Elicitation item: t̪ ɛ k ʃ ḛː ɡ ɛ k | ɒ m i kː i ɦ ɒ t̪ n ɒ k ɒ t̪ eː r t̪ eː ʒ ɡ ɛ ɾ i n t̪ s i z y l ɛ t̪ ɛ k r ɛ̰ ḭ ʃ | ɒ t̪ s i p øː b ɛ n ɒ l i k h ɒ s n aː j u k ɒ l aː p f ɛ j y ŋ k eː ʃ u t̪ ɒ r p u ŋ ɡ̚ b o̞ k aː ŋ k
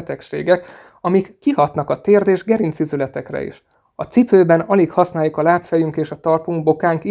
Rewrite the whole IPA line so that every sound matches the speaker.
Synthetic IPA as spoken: t̪ ɛ k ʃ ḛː ɡ ɛ k | ɒ m i kː i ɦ ɒ t̪ n ɒ k ɒ t̪ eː r d̪ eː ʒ ɡ ɛ ɾ i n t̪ s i z y l ɛ t̪ ɛ k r ɛ̰ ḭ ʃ | ɒ t̪ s i p øː b ɛ n ɒ l i k h ɒ s n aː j u k ɒ l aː p f ɛ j y ŋ k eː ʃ ɒ t̪ ɒ r p u ŋ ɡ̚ b o̞ k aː ŋ k